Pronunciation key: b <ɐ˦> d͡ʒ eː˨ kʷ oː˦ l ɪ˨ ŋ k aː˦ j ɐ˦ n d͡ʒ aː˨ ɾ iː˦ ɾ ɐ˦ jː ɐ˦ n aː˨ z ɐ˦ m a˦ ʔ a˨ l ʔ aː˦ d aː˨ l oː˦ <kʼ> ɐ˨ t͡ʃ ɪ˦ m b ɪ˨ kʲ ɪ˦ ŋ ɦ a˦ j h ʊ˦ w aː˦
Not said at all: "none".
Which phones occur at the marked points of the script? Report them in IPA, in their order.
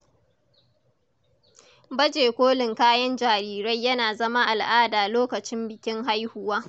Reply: ɐ˦, k

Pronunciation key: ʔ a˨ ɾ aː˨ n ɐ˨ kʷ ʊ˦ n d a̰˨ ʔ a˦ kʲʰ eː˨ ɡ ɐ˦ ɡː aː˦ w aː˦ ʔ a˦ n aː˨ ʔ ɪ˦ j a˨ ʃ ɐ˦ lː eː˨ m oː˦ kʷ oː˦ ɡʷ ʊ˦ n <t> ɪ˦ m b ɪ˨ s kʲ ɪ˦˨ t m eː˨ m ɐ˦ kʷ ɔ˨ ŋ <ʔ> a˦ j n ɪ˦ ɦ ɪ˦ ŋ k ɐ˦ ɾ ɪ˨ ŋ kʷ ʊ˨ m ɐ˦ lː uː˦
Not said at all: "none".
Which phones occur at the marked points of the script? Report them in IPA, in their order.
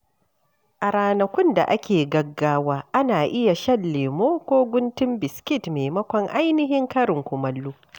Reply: t, ʔ

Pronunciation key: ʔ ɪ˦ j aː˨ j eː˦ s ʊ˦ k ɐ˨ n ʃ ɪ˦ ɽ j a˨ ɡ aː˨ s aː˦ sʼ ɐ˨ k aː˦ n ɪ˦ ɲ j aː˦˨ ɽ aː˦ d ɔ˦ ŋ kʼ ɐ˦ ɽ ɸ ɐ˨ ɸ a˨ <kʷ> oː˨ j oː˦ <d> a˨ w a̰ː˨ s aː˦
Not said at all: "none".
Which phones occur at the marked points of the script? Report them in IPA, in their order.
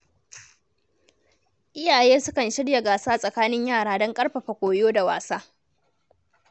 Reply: kʷ, d

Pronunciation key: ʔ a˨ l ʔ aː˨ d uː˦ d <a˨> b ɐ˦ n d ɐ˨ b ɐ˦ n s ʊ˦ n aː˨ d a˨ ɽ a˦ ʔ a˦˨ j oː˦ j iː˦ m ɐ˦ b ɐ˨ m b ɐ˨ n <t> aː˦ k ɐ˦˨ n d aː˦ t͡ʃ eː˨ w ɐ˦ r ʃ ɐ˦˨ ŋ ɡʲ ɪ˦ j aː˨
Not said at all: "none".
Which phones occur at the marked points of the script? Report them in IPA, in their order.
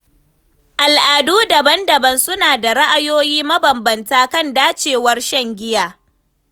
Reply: ɐ˨, t

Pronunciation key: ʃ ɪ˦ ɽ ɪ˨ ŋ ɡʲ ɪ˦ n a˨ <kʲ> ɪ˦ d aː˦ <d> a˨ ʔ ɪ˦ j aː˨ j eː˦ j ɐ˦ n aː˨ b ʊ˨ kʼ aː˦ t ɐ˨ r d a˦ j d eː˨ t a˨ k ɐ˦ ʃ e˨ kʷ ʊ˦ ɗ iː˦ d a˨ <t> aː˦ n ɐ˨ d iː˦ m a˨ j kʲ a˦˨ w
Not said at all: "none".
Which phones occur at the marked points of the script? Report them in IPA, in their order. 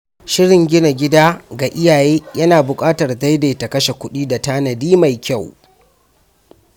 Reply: ɡʲ, ɡ, t

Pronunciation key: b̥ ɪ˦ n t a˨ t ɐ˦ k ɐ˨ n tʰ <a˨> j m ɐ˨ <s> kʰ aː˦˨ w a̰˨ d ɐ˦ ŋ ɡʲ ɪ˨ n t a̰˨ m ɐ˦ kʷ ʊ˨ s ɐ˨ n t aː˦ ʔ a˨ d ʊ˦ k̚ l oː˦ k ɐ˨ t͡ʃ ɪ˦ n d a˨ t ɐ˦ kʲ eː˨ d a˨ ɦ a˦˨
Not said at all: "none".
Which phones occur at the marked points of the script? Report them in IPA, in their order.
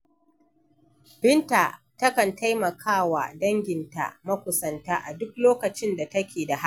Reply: a˦, none

